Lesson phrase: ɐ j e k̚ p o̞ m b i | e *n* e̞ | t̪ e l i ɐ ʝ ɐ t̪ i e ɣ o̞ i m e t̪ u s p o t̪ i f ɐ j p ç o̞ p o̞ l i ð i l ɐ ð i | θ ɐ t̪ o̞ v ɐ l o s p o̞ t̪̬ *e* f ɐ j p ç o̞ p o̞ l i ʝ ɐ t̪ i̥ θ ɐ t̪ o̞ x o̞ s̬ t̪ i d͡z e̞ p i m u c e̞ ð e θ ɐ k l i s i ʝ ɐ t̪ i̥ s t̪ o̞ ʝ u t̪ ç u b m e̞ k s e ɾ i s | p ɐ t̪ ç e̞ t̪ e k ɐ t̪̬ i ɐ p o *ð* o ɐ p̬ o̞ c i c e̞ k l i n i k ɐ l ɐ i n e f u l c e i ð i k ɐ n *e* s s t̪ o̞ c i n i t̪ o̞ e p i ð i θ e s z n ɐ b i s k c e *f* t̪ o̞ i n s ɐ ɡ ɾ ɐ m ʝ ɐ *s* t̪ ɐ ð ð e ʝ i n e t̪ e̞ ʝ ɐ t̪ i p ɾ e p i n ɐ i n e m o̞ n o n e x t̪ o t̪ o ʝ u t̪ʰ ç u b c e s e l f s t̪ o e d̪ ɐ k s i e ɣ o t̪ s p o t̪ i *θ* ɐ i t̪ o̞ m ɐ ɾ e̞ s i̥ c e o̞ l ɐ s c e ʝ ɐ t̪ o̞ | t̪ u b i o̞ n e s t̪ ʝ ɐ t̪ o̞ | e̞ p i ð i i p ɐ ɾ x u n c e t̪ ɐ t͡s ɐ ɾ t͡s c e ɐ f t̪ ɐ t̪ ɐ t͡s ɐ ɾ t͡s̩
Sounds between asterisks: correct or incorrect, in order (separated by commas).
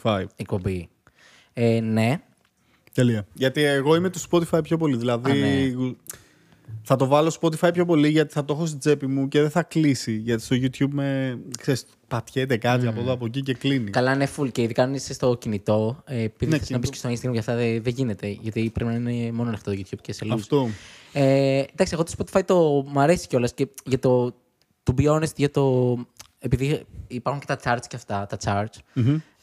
correct, incorrect, correct, incorrect, incorrect, incorrect, incorrect